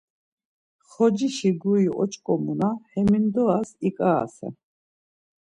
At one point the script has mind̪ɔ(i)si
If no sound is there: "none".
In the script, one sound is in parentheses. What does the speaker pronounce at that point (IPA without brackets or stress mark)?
a